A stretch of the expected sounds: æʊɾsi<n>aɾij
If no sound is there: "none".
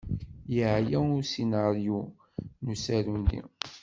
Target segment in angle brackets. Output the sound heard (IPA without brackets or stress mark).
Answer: n